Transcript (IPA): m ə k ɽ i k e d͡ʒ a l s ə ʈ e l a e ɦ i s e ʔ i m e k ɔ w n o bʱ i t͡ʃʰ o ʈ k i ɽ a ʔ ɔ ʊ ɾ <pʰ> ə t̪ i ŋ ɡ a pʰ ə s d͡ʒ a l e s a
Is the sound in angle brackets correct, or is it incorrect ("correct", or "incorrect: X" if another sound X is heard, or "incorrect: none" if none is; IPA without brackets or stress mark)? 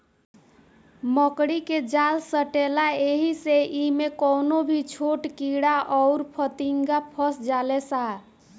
correct